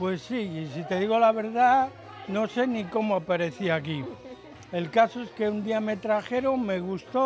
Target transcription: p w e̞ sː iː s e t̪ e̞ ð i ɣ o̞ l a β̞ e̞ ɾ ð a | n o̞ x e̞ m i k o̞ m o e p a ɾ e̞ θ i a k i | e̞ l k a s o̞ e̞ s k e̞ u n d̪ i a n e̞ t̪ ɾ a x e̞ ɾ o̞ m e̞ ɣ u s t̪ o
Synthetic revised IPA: p w e̞ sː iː s i t̪ e̞ ð i ɣ o̞ l a β̞ e̞ ɾ ð a | n o̞ s e̞ n i k o̞ m o a p a ɾ e̞ θ i a k i | e̞ l k a s o̞ e̞ s k e̞ u n d̪ i a m e̞ t̪ ɾ a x e̞ ɾ o̞ m e̞ ɣ u s t̪ o